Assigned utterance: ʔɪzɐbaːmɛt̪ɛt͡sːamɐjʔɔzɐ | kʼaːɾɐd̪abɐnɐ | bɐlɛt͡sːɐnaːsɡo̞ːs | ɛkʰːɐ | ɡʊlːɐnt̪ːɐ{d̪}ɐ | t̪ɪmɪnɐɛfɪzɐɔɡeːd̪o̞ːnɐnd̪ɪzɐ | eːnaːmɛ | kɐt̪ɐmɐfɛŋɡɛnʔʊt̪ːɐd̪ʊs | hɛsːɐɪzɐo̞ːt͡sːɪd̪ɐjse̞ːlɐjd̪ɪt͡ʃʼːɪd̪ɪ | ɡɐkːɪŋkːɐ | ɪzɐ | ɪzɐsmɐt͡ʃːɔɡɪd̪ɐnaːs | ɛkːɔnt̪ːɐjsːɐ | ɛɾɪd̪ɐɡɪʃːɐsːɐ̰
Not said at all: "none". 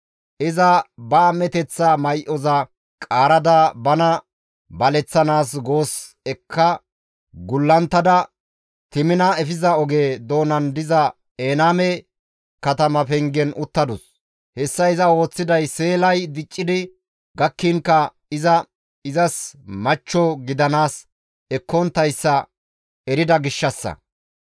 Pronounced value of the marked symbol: d̪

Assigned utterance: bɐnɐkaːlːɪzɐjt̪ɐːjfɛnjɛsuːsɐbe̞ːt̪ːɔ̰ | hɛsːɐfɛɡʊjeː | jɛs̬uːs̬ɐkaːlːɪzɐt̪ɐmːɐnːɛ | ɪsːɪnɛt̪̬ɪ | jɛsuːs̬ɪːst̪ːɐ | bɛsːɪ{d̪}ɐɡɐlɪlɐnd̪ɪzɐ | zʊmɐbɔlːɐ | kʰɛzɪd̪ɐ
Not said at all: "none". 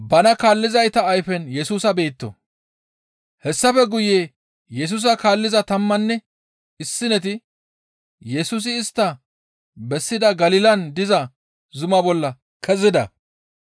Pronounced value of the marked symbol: d̪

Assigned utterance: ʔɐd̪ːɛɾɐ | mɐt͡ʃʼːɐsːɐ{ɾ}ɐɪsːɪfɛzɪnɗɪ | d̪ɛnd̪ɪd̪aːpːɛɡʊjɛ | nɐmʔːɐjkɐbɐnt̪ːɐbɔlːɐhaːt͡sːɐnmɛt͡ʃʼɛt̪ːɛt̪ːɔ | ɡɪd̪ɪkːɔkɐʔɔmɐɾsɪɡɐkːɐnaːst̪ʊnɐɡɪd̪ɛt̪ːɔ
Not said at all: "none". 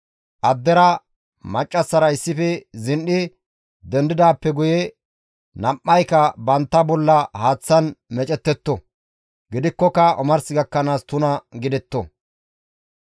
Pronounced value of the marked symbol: ɾ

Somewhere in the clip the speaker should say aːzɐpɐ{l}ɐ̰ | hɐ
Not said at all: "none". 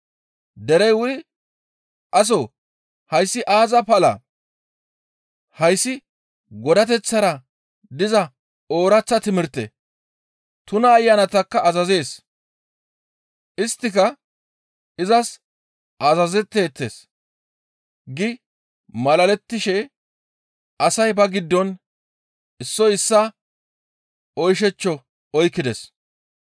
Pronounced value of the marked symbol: l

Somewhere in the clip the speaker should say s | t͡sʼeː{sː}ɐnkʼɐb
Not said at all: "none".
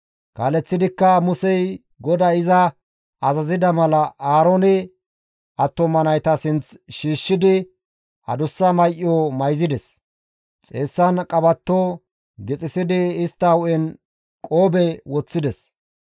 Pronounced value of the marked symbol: sː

